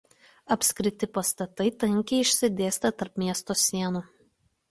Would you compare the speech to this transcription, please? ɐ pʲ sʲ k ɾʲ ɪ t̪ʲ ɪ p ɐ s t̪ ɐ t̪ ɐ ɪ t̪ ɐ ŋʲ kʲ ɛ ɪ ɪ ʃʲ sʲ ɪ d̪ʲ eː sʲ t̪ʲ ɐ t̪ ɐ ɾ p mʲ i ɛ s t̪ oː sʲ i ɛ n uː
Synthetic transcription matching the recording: ɐ pʲ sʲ k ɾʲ ɪ t̪ʲ ɪ p ɐ s t̪ ɐ t̪ ɐ ɪ t̪ ɐ ŋʲ kʲ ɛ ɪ ɪ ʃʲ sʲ ɪ d̪ʲ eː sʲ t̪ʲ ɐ t̪ ɐ ɾ p mʲ i ɛ s t̪ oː sʲ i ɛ n uː